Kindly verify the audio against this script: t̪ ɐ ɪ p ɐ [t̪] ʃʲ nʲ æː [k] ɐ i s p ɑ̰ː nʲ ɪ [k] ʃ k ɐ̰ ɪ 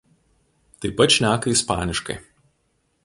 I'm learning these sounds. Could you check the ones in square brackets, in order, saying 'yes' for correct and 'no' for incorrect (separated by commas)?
yes, yes, no